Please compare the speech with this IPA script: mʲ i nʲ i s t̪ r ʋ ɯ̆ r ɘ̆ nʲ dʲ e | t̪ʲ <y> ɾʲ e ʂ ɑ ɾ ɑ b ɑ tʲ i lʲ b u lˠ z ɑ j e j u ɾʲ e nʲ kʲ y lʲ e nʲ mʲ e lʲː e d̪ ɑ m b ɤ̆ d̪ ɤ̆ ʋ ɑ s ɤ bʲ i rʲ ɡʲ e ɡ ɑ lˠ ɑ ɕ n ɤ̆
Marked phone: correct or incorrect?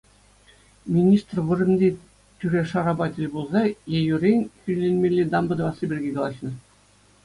correct